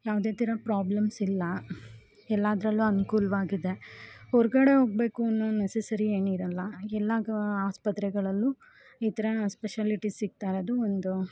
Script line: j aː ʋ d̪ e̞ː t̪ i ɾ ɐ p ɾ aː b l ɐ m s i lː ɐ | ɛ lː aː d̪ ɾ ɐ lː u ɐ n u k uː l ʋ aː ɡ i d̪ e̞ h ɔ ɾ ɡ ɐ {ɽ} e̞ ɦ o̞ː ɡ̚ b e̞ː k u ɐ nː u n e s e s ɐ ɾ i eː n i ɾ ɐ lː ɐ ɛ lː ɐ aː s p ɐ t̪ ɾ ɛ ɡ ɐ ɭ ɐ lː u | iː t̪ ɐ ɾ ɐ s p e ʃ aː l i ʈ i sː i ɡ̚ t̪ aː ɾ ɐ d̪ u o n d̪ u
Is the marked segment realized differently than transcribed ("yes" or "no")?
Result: no